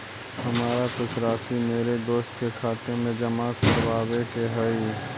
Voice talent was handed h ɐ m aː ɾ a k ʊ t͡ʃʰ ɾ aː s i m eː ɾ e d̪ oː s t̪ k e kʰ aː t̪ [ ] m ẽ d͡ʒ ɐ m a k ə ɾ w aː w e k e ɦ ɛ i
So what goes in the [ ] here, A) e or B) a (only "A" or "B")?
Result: A